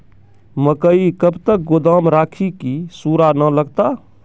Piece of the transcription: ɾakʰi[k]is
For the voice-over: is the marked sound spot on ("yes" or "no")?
yes